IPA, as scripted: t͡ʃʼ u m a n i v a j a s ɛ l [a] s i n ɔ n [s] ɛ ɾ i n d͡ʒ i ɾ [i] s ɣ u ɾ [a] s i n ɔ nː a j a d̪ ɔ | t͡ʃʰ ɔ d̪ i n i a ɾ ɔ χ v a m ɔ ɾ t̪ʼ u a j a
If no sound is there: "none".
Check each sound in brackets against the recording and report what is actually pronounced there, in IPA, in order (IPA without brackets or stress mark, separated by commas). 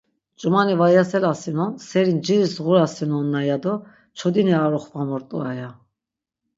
a, s, i, a